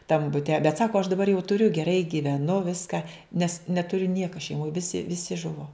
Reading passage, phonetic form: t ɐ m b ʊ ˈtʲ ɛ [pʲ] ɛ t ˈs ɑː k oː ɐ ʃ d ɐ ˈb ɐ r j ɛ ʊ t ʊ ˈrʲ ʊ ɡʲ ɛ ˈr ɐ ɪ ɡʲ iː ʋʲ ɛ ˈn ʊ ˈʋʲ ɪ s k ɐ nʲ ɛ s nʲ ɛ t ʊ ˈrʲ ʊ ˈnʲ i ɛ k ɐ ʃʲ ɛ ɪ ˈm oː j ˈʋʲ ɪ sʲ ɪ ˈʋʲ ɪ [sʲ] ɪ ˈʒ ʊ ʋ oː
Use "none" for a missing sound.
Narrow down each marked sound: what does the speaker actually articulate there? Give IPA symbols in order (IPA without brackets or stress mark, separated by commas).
bʲ, sʲ